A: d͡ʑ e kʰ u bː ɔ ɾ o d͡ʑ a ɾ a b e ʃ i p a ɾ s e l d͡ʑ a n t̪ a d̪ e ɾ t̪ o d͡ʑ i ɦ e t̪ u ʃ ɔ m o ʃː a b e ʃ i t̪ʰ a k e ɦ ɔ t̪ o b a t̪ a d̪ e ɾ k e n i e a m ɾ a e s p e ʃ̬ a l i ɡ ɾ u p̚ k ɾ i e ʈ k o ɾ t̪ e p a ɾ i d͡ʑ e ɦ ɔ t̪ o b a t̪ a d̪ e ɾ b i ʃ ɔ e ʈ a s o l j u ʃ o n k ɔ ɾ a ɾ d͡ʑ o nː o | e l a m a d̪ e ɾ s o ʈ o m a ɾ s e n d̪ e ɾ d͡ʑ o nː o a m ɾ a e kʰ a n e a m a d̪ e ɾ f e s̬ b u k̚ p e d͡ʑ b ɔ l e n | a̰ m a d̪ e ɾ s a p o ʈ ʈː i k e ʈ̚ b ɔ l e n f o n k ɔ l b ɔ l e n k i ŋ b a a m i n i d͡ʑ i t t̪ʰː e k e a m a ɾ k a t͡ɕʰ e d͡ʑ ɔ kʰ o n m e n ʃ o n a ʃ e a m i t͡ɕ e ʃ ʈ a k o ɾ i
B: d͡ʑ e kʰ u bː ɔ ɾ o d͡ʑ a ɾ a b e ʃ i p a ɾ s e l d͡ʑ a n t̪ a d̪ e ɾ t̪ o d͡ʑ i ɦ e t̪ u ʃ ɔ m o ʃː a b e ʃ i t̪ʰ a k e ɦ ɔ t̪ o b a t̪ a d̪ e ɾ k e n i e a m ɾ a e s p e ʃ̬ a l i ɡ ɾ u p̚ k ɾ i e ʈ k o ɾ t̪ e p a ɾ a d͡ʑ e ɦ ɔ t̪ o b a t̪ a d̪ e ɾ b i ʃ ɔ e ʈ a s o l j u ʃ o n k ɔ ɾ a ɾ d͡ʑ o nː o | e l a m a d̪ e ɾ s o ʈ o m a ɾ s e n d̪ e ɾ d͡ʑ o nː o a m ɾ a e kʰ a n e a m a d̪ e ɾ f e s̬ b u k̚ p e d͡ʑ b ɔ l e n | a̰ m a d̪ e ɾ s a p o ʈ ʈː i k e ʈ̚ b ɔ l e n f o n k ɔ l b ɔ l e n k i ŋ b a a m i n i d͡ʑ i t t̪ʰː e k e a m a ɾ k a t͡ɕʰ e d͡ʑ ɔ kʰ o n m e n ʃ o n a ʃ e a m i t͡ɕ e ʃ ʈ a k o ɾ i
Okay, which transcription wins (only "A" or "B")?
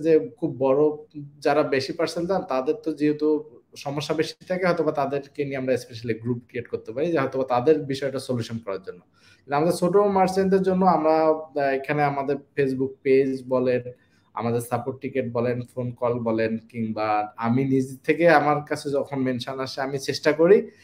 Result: A